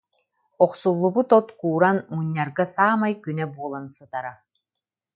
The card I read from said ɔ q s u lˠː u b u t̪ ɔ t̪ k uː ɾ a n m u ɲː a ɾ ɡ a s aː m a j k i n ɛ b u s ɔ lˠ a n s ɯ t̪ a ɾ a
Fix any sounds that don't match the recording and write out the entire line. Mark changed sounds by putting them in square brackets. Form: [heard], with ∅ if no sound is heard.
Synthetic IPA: ɔ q s u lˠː u b u t̪ ɔ t̪ k uː ɾ a n m u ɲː a ɾ ɡ a s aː m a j k [y] n ɛ b u [∅] ɔ lˠ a n s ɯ t̪ a ɾ a